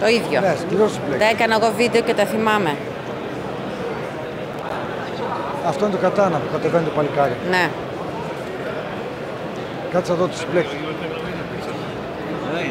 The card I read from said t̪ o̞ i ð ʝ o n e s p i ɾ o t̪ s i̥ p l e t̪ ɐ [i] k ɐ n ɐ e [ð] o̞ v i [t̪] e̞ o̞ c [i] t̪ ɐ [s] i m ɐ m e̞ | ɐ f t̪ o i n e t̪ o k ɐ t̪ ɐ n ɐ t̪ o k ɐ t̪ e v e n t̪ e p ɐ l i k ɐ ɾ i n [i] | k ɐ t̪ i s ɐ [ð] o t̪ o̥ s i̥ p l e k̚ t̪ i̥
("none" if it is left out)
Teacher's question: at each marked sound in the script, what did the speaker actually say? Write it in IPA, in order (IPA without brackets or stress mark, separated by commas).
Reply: e, ɣ, d̪, e, θ, e, ð